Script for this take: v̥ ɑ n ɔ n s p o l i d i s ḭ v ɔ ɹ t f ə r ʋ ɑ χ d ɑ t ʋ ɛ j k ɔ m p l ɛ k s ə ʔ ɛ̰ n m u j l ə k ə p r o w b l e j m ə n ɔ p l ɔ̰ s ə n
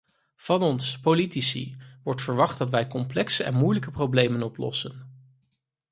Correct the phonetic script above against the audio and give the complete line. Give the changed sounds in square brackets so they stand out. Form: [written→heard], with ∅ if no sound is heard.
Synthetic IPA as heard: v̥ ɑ n ɔ n s p o l i [d→t] i s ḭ [v→ʋ] ɔ ɹ t f ə [r→ɹ] ʋ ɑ χ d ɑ t ʋ ɛ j k ɔ m p l ɛ k s ə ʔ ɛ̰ n m u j l ə k ə p r o w b l e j m ə n ɔ p l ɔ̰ s ə n